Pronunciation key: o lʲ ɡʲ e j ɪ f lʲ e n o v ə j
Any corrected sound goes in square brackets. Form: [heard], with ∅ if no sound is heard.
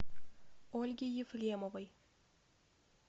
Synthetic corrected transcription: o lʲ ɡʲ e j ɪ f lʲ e [m] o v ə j